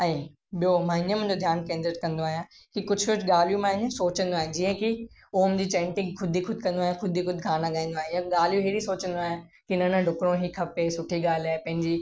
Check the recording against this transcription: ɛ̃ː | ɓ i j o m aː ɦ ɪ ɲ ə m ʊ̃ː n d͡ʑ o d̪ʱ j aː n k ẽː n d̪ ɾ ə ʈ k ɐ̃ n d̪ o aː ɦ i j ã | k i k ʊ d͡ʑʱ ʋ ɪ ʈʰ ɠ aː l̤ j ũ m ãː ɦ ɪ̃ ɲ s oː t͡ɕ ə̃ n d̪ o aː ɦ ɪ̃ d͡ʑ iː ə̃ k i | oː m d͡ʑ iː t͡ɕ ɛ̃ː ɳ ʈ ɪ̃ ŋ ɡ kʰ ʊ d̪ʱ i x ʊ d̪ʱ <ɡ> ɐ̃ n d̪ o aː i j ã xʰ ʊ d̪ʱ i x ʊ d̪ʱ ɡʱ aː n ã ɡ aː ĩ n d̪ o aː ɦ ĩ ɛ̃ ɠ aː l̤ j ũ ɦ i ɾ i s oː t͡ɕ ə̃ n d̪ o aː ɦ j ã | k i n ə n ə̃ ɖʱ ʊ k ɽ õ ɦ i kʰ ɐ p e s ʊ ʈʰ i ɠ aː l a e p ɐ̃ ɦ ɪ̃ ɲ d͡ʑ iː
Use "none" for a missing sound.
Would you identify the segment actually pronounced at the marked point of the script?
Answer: k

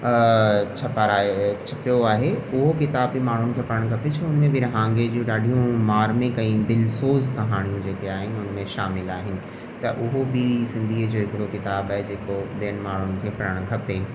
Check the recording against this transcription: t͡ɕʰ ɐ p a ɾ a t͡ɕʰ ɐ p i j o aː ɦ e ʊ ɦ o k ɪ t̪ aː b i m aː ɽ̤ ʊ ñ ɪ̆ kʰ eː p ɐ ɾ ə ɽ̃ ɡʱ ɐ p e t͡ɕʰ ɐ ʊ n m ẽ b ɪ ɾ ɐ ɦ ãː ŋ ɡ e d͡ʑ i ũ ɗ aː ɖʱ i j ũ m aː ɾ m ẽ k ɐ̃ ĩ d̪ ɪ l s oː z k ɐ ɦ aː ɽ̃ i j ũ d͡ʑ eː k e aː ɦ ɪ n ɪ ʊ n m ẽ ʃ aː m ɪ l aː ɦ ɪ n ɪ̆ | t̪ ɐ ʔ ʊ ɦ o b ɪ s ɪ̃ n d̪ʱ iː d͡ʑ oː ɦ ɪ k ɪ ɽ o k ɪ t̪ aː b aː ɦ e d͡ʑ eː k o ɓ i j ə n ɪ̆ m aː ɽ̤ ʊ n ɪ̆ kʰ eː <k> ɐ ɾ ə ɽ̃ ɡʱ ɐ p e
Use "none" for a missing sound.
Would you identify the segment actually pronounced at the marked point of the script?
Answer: p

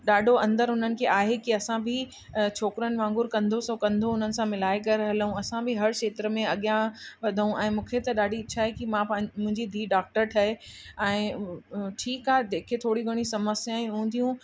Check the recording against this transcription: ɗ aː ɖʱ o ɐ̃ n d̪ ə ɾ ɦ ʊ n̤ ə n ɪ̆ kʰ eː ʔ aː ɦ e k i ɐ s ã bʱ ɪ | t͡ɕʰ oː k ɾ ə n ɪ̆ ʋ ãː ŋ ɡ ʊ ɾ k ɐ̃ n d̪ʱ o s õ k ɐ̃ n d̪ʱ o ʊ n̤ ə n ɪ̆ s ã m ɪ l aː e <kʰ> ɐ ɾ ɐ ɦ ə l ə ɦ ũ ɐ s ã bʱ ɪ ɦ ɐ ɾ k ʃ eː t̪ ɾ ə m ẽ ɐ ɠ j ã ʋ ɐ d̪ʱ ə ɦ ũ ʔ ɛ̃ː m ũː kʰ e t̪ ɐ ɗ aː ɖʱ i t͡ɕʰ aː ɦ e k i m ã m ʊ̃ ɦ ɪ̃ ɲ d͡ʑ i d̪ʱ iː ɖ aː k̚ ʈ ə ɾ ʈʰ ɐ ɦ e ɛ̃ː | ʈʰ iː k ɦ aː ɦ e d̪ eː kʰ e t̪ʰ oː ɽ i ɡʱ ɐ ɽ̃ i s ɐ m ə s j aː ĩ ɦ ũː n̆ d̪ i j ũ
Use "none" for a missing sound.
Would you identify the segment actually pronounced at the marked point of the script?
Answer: k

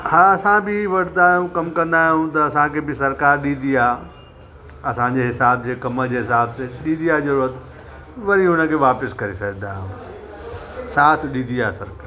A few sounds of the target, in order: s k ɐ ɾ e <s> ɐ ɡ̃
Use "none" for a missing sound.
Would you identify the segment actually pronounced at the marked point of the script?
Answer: s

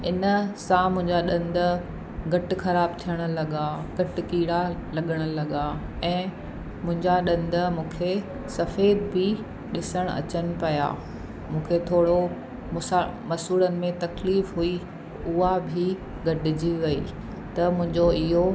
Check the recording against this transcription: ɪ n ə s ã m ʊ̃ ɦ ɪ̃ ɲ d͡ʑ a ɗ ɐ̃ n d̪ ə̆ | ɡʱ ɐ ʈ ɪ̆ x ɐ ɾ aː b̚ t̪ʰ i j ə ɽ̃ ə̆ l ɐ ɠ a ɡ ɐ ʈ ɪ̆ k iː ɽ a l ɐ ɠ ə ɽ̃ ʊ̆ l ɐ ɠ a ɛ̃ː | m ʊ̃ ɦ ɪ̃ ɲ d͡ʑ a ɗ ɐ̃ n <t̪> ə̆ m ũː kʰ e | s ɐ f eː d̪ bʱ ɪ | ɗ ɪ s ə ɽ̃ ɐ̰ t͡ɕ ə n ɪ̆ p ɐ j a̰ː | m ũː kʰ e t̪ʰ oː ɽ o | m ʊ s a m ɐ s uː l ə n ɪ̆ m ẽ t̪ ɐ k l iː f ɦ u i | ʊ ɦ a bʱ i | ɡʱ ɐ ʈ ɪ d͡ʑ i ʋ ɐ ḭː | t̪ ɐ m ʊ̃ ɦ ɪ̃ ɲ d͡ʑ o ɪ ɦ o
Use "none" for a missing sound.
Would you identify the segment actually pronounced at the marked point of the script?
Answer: d̪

